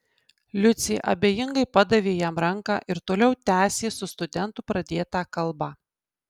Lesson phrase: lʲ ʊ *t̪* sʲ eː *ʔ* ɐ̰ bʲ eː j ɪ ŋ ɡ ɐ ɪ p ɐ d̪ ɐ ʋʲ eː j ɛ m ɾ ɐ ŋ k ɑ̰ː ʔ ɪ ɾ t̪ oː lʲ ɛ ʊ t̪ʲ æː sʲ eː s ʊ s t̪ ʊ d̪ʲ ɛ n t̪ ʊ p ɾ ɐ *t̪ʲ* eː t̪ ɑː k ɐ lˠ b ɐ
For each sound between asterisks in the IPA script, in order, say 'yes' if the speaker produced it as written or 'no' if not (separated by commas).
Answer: yes, yes, no